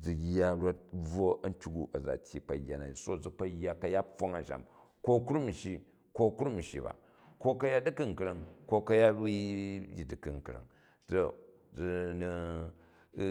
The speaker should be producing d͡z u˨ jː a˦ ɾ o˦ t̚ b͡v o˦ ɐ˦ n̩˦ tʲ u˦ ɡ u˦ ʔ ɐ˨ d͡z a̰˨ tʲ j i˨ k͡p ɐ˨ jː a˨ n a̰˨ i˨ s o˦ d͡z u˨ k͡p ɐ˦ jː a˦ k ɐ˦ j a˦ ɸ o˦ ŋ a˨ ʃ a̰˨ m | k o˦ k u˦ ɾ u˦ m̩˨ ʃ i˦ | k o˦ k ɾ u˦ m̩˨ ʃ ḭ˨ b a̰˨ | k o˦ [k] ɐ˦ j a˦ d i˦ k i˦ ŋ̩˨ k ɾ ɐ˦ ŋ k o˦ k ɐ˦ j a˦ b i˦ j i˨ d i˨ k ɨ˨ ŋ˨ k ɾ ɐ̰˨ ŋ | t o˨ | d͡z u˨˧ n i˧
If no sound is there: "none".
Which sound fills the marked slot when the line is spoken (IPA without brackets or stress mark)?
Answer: k